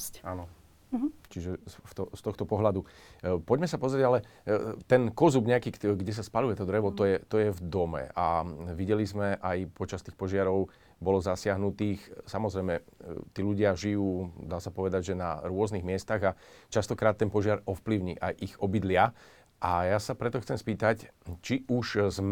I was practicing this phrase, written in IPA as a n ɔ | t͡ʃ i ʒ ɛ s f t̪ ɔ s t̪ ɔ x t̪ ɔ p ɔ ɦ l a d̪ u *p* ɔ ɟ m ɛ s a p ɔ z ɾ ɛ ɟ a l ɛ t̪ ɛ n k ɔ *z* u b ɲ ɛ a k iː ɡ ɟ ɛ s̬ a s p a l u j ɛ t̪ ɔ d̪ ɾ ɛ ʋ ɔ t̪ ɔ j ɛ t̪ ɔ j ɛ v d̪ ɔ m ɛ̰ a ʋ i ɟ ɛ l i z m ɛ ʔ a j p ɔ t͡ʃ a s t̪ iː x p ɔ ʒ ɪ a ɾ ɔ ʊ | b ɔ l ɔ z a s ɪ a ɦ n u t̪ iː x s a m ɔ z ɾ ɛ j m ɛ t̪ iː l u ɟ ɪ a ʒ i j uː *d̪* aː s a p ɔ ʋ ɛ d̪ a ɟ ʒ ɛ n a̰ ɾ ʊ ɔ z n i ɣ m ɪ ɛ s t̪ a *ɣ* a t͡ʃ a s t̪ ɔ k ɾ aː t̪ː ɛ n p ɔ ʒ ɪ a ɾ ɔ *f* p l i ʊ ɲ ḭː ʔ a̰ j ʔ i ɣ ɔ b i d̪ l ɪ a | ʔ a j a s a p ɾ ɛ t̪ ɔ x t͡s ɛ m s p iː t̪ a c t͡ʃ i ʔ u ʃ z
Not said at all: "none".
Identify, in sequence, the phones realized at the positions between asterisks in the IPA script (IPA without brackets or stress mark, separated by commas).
p, z, d̪, ɣ, f